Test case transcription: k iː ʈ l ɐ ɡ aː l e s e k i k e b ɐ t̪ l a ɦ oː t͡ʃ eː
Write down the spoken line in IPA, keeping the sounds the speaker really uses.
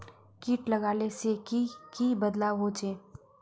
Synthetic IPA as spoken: k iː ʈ l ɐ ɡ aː l e s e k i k i b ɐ d̪ l a ɦ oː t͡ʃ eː

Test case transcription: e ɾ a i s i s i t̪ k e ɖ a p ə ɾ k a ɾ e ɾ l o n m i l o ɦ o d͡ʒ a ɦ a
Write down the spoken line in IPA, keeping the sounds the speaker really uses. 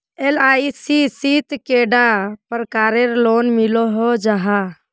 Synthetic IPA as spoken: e l a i s i s i t̪ k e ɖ a p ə ɾ k a ɾ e ɾ l o n m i l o ɦ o d͡ʒ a ɦ a

